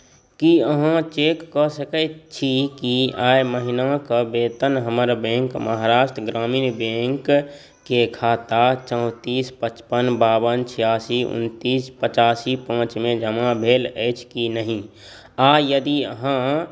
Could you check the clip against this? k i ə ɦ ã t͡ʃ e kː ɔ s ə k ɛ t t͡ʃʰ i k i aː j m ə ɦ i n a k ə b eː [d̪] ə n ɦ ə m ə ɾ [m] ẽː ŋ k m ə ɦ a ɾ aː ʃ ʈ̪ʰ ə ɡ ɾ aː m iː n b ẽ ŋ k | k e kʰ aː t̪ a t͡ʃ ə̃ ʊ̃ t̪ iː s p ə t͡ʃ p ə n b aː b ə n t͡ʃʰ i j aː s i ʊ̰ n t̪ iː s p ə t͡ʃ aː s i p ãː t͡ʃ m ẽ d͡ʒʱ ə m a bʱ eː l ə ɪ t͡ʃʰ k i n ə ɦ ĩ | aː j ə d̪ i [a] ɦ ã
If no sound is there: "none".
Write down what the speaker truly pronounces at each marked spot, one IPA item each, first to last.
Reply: t̪, b, ə

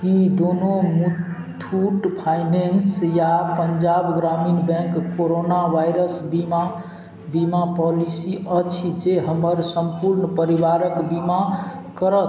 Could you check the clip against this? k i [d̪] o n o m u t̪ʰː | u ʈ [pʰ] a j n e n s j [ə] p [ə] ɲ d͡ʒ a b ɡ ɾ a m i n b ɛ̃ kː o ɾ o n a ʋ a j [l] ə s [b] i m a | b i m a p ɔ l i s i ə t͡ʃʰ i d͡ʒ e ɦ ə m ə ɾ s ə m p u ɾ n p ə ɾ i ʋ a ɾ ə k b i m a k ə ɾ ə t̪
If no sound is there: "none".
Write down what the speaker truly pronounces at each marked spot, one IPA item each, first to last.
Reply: d̪, pʰ, a, ə, ɾ, b

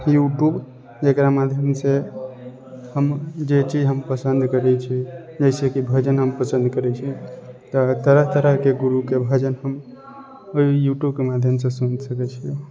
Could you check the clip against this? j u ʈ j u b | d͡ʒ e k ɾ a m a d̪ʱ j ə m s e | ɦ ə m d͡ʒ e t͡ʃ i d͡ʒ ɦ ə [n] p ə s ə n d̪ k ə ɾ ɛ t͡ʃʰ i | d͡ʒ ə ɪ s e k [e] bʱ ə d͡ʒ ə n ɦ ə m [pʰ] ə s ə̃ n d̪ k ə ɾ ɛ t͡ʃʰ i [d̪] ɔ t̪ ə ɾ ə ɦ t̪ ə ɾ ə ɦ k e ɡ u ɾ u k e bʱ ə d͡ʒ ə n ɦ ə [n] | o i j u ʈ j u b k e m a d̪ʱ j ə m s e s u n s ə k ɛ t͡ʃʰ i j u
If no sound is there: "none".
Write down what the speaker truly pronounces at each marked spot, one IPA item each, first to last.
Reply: m, i, p, t̪, m

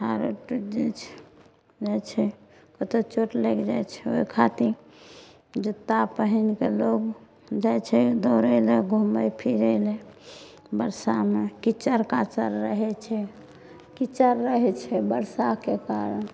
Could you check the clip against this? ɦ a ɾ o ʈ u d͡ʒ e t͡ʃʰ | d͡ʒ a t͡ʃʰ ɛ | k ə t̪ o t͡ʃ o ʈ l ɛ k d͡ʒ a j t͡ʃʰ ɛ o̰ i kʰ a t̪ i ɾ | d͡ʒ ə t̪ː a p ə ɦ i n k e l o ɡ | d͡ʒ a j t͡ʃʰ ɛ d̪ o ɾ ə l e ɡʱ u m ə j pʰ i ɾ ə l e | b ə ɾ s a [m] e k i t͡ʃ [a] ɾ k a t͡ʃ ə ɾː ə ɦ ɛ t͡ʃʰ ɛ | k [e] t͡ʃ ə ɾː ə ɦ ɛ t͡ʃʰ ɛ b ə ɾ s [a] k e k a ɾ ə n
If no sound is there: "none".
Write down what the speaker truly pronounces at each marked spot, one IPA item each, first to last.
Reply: m, ə, i, a

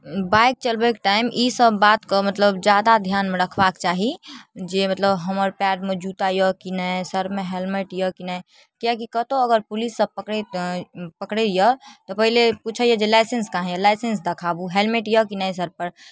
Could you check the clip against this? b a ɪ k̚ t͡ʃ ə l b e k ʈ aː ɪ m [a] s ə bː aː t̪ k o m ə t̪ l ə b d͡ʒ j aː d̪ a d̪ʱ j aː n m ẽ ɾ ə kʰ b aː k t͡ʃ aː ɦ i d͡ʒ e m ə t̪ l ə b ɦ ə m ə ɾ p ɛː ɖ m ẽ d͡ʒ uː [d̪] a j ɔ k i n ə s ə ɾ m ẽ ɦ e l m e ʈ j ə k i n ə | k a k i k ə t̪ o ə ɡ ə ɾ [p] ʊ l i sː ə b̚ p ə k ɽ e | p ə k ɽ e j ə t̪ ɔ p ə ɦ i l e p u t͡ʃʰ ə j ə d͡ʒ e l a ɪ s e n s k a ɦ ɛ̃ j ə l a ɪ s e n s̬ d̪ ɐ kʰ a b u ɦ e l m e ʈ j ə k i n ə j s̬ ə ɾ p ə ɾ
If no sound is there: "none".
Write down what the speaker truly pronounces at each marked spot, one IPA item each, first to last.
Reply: i, t̪, p

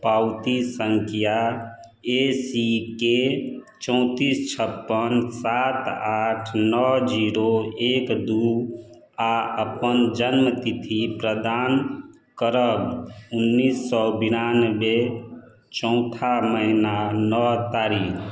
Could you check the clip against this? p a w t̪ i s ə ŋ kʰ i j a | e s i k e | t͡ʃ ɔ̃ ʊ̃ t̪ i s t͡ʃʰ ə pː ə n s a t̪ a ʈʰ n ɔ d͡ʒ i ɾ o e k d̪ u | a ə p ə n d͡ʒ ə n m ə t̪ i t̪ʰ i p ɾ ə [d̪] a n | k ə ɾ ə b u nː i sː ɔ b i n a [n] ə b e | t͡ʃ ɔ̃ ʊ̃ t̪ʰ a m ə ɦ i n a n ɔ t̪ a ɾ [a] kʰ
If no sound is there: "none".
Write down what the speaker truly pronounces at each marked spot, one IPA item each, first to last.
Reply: d̪, n, i

